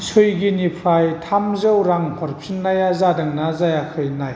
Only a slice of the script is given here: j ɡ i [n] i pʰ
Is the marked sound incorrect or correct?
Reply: correct